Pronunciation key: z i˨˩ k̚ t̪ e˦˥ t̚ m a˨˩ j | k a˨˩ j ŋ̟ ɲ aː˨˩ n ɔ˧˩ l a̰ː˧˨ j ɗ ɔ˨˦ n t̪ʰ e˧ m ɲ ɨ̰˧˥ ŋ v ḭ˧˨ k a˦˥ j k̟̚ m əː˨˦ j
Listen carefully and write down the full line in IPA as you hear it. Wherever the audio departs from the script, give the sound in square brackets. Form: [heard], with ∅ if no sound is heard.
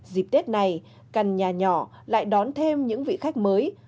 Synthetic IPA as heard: z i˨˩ [p̚] t̪ e˦˥ t̚ [n] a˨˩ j | k a˨˩ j ŋ̟ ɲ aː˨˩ [ɲ] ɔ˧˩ l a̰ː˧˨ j ɗ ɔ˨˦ n t̪ʰ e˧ m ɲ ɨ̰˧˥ ŋ v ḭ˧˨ [x] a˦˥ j k̟̚ m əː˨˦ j